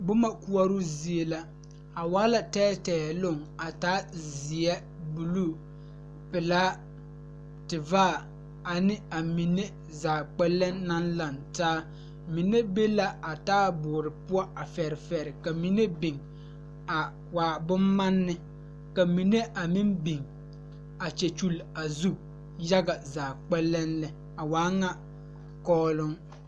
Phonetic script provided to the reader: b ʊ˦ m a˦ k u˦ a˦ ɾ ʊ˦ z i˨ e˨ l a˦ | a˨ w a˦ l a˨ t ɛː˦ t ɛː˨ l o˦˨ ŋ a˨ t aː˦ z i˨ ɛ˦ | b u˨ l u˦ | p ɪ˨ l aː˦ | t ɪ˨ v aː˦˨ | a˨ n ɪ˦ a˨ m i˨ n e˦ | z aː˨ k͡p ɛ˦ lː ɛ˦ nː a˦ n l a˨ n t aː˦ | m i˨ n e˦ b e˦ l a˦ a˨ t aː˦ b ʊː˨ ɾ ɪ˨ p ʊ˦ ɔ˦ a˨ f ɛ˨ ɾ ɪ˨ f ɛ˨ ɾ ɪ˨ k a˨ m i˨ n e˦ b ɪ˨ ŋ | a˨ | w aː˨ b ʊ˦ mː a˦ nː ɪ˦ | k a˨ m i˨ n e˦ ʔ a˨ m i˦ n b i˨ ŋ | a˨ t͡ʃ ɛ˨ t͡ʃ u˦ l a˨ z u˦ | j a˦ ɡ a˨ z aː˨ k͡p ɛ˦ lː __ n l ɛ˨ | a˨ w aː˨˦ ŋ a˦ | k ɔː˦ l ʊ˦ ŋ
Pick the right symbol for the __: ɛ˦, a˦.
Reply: ɛ˦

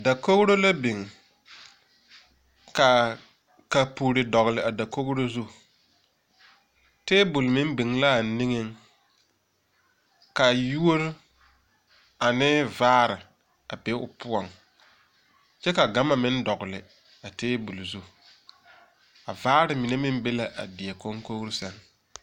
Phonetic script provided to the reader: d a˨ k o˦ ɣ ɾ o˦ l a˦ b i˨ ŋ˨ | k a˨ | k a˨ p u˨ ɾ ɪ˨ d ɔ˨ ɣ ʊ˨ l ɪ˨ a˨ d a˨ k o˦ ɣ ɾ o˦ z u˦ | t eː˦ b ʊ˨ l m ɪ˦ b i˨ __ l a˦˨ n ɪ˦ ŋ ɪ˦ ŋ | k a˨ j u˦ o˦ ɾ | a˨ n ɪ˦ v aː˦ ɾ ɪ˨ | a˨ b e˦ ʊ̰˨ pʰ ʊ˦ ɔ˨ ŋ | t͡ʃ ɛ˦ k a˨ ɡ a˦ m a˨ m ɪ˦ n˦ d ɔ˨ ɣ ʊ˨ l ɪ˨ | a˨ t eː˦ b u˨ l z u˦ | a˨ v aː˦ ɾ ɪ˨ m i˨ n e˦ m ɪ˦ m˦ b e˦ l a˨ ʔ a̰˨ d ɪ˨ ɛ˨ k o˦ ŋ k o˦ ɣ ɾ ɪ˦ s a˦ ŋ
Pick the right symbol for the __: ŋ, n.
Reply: ŋ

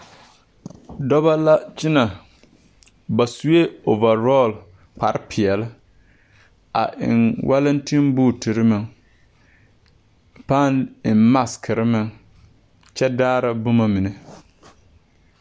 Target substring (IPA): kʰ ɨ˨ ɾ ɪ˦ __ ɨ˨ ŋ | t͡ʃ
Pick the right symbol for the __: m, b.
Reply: m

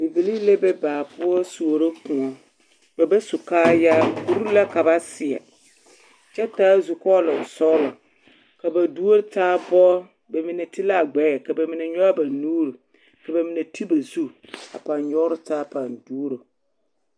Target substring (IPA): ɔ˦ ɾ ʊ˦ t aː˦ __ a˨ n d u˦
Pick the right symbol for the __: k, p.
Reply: p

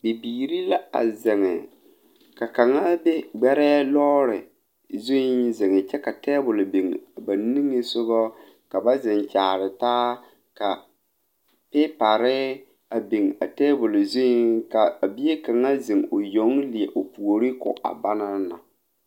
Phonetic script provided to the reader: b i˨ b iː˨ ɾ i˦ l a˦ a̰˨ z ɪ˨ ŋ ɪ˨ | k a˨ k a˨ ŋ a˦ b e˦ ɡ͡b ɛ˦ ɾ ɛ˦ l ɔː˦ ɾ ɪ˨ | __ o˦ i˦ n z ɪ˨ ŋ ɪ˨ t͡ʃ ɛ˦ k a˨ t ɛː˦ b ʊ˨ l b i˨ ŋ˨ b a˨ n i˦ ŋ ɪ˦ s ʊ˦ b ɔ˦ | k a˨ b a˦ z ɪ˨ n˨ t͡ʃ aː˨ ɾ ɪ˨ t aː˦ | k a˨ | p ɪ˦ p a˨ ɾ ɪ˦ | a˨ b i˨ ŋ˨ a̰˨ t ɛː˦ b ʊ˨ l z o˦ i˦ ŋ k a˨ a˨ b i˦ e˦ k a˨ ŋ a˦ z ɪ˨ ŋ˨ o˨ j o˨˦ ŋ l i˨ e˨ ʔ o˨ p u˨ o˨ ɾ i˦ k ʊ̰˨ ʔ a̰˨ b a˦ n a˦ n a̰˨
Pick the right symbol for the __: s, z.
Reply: z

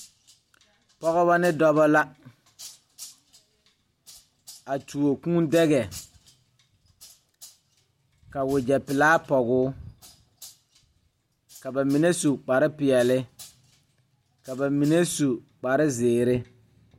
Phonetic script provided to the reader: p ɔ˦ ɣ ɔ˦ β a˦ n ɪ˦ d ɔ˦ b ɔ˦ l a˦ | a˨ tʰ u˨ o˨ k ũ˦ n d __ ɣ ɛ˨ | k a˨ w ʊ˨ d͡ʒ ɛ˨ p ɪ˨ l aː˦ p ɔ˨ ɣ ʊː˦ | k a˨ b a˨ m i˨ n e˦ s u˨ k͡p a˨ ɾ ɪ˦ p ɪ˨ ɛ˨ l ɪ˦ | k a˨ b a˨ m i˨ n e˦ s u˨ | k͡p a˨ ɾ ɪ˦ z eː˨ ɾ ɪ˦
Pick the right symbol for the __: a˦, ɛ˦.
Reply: ɛ˦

